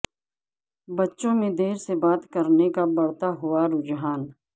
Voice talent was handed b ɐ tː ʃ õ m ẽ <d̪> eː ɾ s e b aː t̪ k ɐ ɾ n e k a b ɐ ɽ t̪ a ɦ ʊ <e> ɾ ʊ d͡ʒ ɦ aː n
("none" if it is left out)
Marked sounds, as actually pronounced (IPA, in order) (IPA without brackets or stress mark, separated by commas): d̪, a